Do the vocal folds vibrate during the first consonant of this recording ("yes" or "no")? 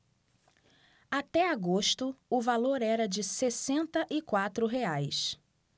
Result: no